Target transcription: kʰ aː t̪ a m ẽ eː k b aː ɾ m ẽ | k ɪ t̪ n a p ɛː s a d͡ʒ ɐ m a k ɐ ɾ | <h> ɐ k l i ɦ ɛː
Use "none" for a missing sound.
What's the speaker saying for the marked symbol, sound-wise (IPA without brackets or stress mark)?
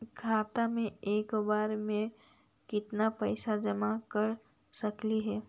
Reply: s